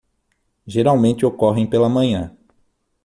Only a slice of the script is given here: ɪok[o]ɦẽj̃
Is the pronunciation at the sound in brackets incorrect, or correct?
incorrect: ɔ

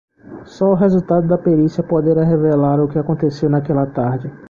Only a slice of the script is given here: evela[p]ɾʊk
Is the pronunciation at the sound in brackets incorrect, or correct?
incorrect: none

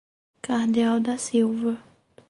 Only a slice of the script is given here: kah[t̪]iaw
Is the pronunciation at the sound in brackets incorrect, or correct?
incorrect: d̪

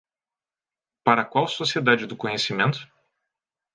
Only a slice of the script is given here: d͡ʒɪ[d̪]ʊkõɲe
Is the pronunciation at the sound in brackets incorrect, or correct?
correct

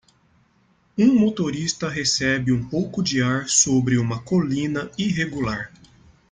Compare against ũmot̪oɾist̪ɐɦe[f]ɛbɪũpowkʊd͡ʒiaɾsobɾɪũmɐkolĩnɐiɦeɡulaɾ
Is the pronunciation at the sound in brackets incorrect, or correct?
incorrect: s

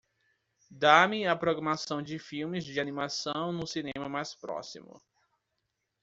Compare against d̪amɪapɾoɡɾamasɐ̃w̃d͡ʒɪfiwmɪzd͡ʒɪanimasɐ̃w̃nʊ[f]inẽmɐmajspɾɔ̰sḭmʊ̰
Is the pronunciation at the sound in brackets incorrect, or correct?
incorrect: s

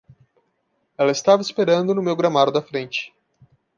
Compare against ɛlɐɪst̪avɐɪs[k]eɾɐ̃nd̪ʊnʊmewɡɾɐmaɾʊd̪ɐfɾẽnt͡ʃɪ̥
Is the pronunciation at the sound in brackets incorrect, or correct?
incorrect: p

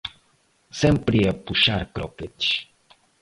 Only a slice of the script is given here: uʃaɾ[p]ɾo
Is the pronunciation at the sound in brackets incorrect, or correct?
incorrect: k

